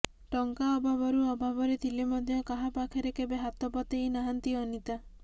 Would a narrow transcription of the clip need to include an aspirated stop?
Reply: yes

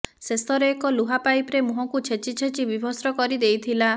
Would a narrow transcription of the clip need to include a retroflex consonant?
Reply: no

